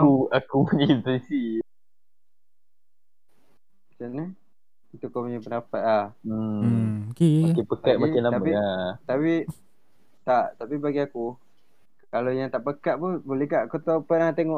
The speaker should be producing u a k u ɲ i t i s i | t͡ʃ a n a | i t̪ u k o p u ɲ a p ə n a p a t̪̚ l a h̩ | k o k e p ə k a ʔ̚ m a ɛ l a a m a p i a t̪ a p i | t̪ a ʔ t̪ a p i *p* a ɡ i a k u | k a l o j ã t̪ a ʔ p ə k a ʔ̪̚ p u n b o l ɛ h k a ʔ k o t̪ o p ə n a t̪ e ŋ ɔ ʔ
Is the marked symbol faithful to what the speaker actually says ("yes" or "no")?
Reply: no